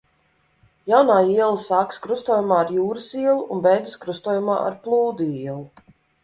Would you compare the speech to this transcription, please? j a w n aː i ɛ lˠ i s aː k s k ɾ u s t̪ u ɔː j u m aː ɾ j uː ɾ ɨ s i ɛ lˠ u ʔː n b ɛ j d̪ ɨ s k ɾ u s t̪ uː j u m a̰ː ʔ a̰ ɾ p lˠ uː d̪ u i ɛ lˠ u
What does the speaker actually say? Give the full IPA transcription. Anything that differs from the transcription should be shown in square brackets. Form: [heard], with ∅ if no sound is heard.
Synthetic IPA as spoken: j a w n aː i ɛ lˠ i s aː k s k ɾ u s t̪ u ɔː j u m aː ɾ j uː ɾ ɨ s i ɛ lˠ u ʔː n b ɛ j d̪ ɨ s k ɾ u s t̪ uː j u m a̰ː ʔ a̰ ɾ p lˠ uː d̪ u i ɛ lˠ u